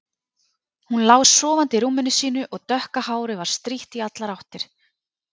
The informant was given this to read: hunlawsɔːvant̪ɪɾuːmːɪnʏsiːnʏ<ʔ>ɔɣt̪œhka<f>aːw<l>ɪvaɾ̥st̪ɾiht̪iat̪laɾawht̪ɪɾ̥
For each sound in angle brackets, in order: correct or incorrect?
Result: correct, incorrect: h, incorrect: ɾ

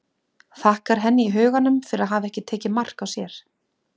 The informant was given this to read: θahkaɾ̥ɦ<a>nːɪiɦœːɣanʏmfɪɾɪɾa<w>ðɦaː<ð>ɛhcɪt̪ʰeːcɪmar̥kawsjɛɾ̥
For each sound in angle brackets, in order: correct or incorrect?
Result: incorrect: ɛ, incorrect: none, incorrect: v

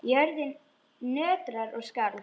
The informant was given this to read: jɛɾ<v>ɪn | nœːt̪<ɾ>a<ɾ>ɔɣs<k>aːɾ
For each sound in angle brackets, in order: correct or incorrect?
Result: incorrect: ð, correct, correct, correct

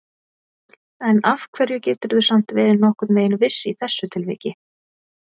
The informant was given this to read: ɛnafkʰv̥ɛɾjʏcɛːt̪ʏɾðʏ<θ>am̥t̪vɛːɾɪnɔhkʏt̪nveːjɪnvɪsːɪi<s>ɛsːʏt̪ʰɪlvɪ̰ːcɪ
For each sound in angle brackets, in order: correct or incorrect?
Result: incorrect: s, incorrect: θ

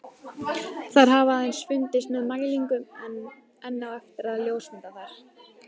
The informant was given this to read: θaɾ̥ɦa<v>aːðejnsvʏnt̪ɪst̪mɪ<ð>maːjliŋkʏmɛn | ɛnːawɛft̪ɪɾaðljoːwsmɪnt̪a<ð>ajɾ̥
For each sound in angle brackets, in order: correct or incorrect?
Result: correct, correct, incorrect: θ

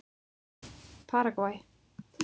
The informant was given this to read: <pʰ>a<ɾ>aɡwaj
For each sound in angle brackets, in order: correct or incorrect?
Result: correct, correct

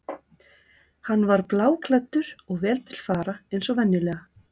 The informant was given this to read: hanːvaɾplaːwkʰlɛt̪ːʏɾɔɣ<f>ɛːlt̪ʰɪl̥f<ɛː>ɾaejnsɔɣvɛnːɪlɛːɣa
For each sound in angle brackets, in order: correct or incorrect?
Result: incorrect: v, incorrect: aː

